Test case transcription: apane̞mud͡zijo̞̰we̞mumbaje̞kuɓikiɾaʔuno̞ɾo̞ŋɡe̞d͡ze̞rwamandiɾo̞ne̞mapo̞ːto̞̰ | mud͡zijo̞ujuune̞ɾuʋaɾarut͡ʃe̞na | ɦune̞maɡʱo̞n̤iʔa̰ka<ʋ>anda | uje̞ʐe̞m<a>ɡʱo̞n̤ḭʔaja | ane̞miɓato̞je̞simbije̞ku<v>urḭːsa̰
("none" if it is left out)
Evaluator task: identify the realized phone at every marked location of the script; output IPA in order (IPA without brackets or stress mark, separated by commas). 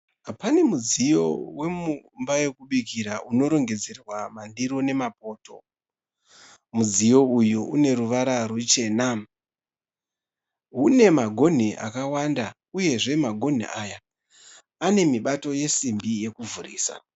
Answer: w, a, v